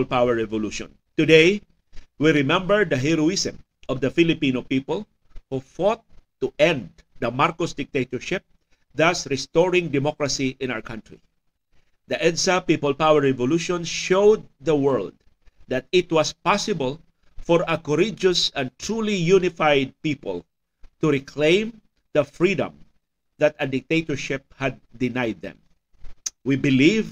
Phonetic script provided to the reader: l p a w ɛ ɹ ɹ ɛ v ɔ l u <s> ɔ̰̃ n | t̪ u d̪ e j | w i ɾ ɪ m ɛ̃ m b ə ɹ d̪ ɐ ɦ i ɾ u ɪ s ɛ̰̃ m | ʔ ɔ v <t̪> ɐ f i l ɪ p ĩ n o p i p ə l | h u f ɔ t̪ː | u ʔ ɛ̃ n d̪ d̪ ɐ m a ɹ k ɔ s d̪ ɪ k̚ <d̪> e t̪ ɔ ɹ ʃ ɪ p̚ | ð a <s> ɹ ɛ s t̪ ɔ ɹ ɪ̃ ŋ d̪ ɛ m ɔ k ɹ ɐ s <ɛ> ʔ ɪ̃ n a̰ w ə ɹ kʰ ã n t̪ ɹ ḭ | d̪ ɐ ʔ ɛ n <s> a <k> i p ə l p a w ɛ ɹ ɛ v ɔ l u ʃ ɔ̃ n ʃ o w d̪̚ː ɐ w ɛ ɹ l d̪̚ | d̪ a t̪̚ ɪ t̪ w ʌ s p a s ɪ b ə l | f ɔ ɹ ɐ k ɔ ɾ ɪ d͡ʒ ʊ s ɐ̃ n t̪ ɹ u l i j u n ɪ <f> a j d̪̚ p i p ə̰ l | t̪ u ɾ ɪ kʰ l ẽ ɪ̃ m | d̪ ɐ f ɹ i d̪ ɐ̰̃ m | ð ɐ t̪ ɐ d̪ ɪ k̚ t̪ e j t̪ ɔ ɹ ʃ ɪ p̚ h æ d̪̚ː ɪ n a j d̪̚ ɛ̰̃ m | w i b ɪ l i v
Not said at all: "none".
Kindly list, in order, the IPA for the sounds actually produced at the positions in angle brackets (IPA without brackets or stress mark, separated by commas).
ʃ, d̪, t̪, s, i, s, p, f